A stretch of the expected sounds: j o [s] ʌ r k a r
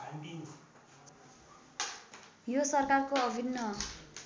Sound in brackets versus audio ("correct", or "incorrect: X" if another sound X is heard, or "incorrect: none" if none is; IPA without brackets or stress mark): correct